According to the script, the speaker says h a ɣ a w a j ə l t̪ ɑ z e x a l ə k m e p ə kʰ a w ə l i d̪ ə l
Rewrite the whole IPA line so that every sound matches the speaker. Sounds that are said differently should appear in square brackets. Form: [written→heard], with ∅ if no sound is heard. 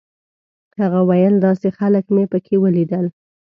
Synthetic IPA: h a ɣ a w a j ə l [t̪→d̪] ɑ [z→s] e x a l ə k m e p ə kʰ [a→e] w ə l i d̪ ə l